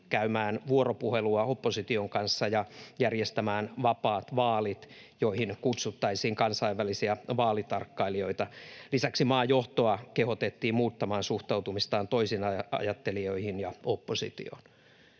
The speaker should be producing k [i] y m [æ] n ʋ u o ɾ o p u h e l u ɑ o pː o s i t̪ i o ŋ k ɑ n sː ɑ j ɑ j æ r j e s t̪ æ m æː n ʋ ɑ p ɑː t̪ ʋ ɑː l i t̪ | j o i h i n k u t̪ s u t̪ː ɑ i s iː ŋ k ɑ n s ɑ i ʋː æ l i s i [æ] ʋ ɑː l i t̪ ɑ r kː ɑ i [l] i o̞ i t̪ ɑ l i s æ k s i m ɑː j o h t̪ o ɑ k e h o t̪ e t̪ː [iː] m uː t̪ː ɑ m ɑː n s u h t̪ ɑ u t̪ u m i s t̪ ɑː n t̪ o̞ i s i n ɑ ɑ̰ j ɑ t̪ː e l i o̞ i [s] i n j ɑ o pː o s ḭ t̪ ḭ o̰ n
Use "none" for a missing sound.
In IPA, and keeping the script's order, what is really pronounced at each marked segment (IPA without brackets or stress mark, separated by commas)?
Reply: æ, æː, æ, l, iː, h